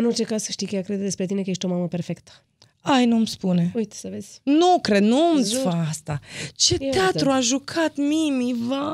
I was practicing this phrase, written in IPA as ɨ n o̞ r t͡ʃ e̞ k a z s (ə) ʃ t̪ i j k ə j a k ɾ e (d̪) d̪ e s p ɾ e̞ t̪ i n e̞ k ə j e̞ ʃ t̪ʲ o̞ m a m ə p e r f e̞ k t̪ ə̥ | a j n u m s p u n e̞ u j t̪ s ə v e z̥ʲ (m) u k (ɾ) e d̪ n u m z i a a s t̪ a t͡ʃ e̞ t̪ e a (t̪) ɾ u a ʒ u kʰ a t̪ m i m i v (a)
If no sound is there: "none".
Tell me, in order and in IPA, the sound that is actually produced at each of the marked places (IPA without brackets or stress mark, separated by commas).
ə, d̪, n, ɾ, t̪, a